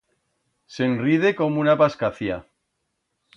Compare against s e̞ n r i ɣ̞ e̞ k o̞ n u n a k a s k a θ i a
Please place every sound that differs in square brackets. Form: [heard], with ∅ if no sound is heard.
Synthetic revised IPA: s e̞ n r i [ð̞] e̞ k o̞ [m] u n a [p] a s k a θ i a